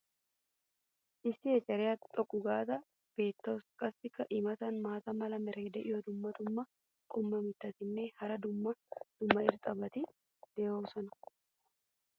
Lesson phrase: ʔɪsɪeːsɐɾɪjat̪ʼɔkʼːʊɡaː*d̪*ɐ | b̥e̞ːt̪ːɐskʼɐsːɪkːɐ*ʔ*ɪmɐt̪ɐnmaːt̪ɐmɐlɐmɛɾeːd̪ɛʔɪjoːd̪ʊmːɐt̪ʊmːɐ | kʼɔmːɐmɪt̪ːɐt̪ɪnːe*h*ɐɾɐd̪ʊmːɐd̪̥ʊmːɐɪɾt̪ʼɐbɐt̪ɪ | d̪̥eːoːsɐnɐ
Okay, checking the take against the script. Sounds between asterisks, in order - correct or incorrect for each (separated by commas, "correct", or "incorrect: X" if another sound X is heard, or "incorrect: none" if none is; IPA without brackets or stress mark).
incorrect: t̪, correct, correct